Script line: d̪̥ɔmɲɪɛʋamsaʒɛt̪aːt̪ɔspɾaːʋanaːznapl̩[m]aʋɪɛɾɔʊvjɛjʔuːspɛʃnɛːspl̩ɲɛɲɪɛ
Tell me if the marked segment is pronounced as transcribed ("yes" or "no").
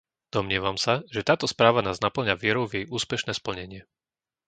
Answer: no